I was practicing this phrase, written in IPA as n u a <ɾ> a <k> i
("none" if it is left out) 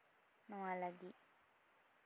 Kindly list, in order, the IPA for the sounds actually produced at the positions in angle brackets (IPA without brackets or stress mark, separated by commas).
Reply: l, ɡ